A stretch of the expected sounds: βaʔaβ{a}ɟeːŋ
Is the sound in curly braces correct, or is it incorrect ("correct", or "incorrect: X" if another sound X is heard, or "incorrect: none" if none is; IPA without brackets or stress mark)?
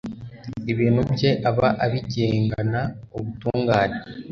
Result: incorrect: i